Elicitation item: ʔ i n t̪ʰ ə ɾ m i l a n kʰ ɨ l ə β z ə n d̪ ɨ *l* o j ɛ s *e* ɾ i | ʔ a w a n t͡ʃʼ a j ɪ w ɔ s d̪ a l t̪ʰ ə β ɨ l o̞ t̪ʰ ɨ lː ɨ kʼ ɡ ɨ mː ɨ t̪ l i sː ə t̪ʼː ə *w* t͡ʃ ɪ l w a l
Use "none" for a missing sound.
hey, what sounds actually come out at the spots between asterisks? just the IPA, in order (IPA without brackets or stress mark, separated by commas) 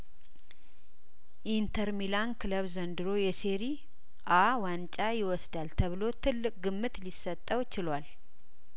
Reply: ɾ, e, w